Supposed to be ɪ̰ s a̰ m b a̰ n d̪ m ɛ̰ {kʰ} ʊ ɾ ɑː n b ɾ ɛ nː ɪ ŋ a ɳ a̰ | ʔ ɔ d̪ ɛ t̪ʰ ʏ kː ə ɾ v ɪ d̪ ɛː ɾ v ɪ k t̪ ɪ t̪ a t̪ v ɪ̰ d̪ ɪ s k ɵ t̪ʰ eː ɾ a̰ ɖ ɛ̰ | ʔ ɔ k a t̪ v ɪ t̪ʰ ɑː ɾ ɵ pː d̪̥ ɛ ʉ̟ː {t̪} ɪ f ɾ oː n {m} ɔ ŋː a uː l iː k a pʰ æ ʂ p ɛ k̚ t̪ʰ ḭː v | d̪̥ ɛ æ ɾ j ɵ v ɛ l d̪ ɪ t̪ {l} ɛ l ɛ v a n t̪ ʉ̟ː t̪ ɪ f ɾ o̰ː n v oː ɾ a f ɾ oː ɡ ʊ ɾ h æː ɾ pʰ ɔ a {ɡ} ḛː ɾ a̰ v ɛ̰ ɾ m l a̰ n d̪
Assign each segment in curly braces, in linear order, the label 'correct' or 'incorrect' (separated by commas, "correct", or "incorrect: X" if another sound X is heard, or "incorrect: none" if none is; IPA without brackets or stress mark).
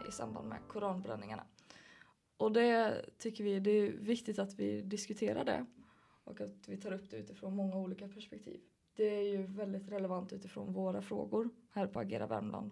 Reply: correct, correct, correct, incorrect: ɾ, correct